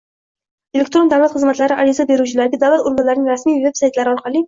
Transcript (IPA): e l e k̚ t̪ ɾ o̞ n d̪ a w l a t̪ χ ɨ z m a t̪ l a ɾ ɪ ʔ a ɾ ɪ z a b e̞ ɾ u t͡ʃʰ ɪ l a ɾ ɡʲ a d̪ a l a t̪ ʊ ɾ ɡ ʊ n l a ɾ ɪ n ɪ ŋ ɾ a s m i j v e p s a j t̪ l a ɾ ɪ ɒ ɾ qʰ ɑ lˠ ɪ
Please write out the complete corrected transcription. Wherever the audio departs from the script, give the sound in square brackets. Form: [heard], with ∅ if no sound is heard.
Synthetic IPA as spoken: e l e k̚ t̪ ɾ o̞ n d̪ a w l a t̪ χ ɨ z m a t̪ l a ɾ ɪ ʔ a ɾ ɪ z a b e̞ ɾ u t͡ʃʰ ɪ l a ɾ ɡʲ a d̪ a l a t̪ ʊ ɾ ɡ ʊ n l a ɾ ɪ n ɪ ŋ ɾ a s m i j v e p s a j t̪ l a ɾ ɪ ɒ ɾ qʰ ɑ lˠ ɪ